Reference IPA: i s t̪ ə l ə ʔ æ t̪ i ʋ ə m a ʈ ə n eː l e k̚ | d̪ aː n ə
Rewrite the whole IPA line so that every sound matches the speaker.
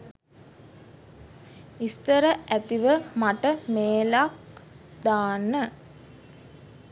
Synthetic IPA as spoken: i s t̪ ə ɾ ə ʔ æ t̪ i ʋ ə m a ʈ ə m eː l a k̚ | d̪ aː n ə